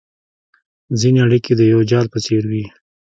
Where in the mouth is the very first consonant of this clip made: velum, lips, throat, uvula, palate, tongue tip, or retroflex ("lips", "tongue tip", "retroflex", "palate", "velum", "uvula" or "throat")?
tongue tip